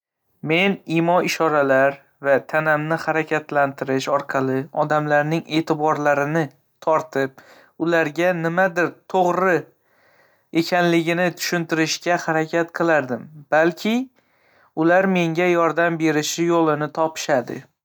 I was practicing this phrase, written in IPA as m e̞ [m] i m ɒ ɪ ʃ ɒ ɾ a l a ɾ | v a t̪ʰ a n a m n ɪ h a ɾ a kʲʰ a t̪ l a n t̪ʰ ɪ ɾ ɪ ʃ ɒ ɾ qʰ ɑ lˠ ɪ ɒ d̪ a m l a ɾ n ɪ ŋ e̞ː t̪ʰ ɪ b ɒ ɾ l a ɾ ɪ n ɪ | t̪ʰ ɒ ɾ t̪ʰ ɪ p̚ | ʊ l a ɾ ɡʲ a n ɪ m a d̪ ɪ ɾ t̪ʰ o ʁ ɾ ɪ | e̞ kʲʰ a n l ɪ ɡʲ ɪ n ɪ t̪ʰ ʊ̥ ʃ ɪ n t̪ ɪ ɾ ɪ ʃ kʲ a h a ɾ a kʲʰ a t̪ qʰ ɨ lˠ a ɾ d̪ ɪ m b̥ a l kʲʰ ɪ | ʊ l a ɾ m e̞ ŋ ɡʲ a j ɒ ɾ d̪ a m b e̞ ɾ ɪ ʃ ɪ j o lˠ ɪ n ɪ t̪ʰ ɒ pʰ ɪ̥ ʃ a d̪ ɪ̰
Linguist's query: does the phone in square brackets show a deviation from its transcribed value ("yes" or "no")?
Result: yes